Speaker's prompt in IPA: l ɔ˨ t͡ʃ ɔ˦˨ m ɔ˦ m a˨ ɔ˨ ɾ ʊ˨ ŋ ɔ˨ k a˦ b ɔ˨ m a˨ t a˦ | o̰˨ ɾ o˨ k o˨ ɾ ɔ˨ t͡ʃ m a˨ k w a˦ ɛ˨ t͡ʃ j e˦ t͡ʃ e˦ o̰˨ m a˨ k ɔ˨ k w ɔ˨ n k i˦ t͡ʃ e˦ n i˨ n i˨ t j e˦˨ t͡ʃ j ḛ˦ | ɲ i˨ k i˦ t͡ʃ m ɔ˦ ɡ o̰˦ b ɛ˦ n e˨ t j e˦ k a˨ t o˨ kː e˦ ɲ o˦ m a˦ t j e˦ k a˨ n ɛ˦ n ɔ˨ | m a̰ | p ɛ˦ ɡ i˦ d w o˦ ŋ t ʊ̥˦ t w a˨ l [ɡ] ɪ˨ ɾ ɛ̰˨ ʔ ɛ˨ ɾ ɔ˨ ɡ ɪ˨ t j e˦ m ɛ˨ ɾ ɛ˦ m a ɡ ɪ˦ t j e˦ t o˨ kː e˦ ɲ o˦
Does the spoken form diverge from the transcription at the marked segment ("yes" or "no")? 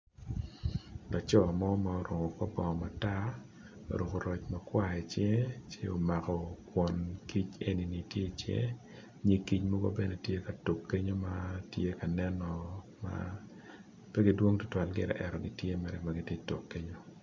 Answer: no